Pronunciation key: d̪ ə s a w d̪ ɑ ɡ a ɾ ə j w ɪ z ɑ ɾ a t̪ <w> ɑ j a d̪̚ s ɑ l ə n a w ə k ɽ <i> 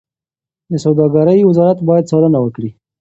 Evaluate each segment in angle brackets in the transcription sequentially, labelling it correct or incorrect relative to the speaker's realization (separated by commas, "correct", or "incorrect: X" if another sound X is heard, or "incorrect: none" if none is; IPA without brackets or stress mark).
incorrect: b, correct